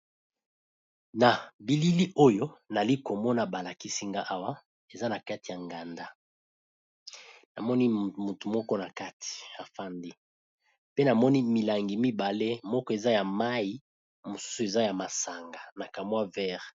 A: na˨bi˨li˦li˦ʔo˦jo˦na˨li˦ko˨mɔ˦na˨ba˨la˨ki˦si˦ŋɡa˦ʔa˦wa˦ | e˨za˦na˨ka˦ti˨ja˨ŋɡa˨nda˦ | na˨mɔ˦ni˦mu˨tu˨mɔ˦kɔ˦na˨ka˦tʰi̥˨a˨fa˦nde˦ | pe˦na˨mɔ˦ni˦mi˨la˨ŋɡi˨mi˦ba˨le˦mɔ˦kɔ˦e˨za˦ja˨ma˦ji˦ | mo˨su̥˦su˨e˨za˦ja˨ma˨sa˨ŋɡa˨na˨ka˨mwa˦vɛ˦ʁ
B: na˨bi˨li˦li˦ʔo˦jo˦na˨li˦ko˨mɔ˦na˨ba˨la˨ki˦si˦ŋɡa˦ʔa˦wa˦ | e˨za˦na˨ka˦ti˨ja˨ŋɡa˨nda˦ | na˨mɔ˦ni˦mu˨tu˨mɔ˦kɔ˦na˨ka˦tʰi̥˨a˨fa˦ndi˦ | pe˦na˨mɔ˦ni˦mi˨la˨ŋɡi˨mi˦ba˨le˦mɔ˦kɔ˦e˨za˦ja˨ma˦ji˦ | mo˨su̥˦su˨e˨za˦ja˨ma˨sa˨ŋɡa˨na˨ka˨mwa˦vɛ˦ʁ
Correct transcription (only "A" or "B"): B